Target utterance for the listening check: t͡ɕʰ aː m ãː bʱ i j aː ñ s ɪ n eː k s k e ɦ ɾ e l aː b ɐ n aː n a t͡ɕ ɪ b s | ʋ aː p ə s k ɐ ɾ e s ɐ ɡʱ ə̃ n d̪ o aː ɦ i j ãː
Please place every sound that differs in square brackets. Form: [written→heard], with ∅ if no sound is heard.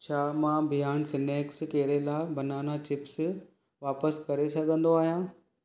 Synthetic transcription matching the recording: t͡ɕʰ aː m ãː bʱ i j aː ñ s ɪ n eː k s k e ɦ ɾ e l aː b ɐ n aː n a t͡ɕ ɪ [b→p] s | ʋ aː p ə s k ɐ ɾ e s ɐ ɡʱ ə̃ n d̪ o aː ɦ i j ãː